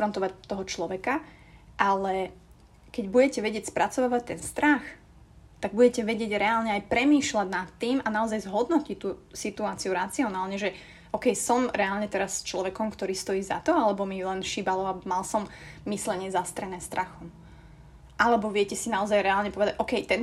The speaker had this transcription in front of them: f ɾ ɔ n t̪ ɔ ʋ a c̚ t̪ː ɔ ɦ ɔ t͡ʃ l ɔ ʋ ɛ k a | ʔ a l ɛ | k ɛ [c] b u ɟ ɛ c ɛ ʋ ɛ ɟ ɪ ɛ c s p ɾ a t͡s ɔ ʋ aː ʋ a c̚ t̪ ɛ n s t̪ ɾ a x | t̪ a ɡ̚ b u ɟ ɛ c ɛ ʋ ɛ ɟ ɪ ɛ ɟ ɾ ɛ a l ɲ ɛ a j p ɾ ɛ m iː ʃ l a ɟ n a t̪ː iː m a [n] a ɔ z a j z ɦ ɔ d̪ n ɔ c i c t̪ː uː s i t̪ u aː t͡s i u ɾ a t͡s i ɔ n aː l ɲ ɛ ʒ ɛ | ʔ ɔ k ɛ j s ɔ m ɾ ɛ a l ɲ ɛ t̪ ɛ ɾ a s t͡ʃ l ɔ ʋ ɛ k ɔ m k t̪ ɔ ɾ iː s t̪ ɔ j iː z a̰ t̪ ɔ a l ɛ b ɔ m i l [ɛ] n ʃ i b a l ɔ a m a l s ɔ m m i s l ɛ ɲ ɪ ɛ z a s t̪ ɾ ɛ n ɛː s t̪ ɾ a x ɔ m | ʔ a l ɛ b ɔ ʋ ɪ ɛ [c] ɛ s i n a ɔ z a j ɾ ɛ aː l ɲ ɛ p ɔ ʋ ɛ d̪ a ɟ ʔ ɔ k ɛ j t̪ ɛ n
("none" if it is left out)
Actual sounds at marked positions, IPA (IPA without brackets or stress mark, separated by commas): ɟ, n, ɛ, c